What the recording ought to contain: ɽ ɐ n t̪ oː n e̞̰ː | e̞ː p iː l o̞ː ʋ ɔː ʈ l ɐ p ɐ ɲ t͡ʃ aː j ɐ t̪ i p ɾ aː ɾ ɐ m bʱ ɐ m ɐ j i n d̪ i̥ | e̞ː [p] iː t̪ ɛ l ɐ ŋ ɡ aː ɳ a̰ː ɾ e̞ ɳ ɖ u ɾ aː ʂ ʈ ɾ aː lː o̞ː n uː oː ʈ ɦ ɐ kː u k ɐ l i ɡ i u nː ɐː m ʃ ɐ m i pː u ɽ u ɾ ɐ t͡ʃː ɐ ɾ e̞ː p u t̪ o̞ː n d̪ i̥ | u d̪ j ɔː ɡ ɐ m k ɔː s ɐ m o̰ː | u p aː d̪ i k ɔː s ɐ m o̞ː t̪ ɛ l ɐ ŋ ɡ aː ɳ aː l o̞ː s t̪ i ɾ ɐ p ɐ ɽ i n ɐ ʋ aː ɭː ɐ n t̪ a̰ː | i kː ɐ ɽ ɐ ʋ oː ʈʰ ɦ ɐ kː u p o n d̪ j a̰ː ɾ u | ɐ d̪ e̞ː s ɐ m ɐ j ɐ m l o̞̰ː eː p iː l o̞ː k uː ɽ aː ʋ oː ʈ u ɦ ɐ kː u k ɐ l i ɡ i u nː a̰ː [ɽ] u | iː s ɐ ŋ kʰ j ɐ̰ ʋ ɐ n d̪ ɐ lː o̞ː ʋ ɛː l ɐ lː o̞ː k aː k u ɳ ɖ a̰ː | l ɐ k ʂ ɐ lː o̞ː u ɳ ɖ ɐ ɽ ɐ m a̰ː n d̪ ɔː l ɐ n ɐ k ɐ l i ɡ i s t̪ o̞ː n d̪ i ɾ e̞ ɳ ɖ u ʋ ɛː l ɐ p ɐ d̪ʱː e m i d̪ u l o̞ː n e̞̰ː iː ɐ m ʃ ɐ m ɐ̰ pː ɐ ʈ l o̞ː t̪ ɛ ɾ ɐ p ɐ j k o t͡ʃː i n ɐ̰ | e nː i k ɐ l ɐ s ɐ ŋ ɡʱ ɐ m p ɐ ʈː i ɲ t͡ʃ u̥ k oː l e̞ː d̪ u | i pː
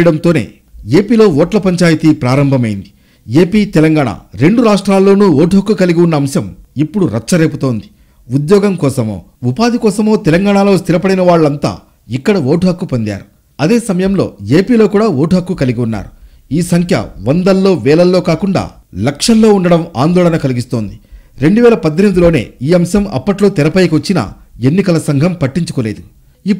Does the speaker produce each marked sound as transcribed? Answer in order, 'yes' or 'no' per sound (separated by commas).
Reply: yes, no